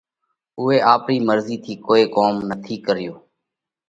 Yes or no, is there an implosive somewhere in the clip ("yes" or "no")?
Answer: no